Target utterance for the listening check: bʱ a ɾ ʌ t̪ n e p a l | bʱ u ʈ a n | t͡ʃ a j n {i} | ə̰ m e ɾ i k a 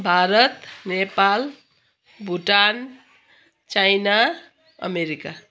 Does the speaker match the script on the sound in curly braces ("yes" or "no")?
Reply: no